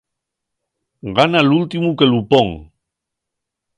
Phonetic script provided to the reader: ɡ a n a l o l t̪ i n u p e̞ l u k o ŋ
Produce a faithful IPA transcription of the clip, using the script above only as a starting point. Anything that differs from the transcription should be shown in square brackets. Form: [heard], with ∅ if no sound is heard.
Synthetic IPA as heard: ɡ a n a l [u] l t̪ i [m] u [k] e̞ l u [p] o ŋ